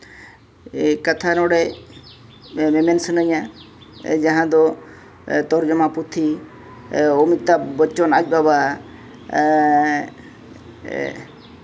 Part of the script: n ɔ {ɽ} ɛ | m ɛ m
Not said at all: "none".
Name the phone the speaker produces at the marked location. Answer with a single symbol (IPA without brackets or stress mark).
ɽ